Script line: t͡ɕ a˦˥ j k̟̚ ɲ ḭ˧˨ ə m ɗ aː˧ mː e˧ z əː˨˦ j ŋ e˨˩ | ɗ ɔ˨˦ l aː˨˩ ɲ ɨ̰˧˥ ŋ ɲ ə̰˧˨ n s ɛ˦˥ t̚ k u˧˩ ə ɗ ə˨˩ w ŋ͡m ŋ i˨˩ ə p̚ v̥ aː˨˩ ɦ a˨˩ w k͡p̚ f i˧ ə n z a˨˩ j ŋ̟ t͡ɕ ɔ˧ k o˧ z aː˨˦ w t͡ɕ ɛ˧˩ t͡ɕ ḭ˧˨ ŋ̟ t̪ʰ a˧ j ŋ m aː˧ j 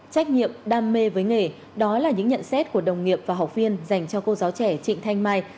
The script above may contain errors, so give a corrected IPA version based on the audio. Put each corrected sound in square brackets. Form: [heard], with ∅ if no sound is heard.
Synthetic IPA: t͡ɕ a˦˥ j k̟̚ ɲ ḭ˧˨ ə m ɗ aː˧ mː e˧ [v] əː˨˦ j ŋ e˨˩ | ɗ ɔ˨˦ l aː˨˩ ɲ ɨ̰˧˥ ŋ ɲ ə̰˧˨ n s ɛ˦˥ t̚ k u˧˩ ə ɗ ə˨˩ w ŋ͡m ŋ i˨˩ ə p̚ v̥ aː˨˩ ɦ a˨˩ w k͡p̚ [v] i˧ ə n z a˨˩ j ŋ̟ t͡ɕ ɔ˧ k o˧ z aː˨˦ w t͡ɕ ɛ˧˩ t͡ɕ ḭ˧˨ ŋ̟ t̪ʰ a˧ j ŋ m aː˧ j